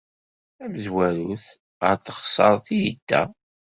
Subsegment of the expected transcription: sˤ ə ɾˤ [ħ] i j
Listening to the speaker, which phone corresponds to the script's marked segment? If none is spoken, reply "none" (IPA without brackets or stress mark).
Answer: θ